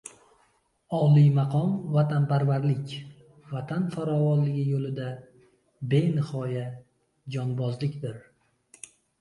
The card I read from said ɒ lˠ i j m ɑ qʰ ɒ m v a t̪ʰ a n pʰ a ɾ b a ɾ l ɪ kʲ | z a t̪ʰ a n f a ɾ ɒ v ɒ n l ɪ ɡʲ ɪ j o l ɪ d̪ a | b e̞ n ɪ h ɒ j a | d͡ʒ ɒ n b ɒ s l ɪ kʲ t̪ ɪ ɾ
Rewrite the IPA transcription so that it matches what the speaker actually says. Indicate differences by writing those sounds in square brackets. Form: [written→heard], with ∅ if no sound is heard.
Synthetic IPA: ɒ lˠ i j m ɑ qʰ ɒ m v a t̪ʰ a n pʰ a ɾ [b→v] a ɾ l ɪ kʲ | [z→v] a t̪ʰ a n f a ɾ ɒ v ɒ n l ɪ ɡʲ ɪ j o l ɪ d̪ a | b e̞ n ɪ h ɒ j a | d͡ʒ ɒ n b ɒ [s→z] l ɪ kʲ [t̪→d̪] ɪ ɾ